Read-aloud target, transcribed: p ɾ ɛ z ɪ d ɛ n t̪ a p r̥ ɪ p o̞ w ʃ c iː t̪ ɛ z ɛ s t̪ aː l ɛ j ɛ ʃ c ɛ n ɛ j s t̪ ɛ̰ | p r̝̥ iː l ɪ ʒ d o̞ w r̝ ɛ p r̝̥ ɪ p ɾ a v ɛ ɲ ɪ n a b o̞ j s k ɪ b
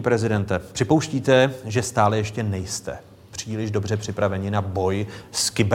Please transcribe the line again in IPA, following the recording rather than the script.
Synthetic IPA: p ɾ ɛ z ɪ d ɛ n t̪ ɛ p r̥ ɪ p o̞ w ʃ c iː t̪ ɛ ʒ ɛ s t̪ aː l ɛ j ɛ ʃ c ɛ n ɛ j s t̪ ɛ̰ | p r̝̥ iː l ɪ ʒ d o̞ b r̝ ɛ p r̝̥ ɪ p ɾ a v ɛ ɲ ɪ n a b o̞ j s k ɪ b